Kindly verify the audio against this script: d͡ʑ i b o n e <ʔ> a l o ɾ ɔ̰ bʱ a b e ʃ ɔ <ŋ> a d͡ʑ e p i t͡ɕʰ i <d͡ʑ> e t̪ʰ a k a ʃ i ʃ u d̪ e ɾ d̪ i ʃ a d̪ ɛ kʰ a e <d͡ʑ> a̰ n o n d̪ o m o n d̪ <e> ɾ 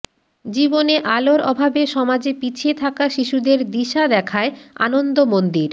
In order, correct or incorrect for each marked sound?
correct, incorrect, incorrect, incorrect, incorrect

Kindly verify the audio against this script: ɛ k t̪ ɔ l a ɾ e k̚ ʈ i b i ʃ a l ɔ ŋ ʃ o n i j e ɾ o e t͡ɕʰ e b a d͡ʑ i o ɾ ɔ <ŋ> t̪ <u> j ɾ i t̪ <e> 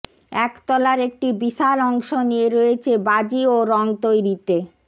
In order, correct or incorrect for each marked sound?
correct, incorrect, correct

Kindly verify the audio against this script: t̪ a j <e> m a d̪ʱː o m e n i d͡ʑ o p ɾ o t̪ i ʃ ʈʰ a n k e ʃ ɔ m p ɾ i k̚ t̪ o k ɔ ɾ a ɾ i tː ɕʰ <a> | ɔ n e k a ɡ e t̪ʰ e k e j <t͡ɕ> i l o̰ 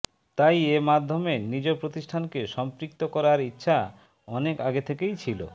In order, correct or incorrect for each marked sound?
correct, correct, incorrect

